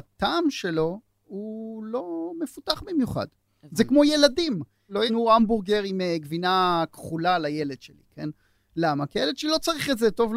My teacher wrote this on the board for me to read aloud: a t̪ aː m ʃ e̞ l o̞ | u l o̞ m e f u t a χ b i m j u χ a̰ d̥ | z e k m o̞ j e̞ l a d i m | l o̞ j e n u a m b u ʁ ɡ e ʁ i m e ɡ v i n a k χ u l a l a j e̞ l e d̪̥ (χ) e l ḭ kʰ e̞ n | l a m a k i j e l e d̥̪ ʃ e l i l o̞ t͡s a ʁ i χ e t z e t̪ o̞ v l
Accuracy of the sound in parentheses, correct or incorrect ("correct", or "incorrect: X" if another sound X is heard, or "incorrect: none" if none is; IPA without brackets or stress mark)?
incorrect: ʃ